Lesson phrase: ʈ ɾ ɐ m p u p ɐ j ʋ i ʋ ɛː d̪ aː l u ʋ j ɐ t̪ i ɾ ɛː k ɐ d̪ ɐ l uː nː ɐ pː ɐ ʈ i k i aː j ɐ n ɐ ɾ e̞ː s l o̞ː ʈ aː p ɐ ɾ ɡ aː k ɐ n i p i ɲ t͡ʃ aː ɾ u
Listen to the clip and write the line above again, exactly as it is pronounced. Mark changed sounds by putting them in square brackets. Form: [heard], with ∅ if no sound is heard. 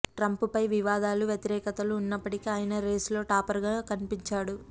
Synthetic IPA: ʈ ɾ ɐ m p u p ɐ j ʋ i ʋ [aː] d̪ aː l u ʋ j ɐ t̪ i ɾ ɛː k ɐ [t̪] ɐ l uː nː ɐ pː ɐ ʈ i k i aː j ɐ n ɐ ɾ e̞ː s l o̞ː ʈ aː p ɐ ɾ ɡ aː k ɐ n i p i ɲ t͡ʃ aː [ɽ] u